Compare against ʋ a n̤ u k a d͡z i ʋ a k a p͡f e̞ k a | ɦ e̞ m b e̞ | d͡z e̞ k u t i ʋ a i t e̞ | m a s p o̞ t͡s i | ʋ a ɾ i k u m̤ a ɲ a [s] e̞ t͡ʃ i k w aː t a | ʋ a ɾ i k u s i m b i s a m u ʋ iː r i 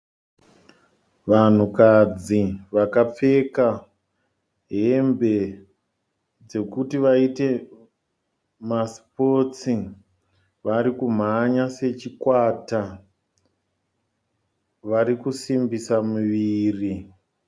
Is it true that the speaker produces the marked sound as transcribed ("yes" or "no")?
yes